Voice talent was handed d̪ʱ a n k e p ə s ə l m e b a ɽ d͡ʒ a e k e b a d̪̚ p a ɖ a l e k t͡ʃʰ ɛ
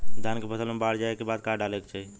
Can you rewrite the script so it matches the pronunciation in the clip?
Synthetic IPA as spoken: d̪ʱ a n k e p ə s ə l m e b a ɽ d͡ʒ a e k e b a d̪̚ k a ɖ a l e k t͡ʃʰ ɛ